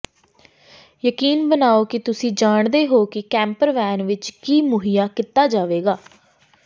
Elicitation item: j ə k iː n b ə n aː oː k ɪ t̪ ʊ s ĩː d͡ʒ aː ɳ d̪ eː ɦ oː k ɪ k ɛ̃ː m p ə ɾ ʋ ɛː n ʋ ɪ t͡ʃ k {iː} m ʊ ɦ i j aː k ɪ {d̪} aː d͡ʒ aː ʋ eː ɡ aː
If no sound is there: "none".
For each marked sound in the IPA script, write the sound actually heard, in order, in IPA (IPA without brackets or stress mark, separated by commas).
iː, t̪